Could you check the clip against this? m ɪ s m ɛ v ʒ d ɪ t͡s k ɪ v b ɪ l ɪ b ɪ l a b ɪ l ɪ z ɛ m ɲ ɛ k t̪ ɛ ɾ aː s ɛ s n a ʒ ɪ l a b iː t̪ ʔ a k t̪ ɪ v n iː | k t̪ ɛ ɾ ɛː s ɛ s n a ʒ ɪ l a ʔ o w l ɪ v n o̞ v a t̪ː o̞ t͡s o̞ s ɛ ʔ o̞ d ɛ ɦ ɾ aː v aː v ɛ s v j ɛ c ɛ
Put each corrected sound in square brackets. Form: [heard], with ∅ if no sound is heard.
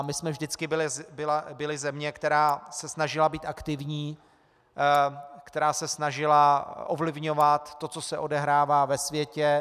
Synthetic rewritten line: m ɪ s m ɛ v ʒ d ɪ t͡s k ɪ [∅] b ɪ l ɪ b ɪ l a b ɪ l ɪ z ɛ m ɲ ɛ k t̪ ɛ ɾ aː s ɛ s n a ʒ ɪ l a b iː t̪ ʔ a k t̪ ɪ v [ɲ] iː | k t̪ ɛ ɾ [aː] s ɛ s n a ʒ ɪ l a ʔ o [v] l ɪ v [ɲ] o̞ v a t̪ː o̞ t͡s o̞ s ɛ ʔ o̞ d ɛ ɦ ɾ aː v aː v ɛ s v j ɛ c ɛ